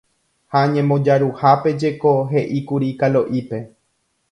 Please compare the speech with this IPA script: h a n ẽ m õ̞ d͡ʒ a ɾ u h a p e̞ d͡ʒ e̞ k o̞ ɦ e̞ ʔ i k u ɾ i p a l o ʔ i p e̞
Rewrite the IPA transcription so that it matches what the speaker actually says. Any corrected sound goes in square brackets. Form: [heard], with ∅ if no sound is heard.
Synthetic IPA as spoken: h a [ɲ] ẽ m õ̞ d͡ʒ a ɾ u h a p e̞ d͡ʒ e̞ k o̞ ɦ e̞ ʔ i k u ɾ i [k] a l o ʔ i p e̞